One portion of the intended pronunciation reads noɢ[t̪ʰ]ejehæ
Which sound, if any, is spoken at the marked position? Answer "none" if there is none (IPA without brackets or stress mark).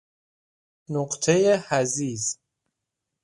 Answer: t̪ʰ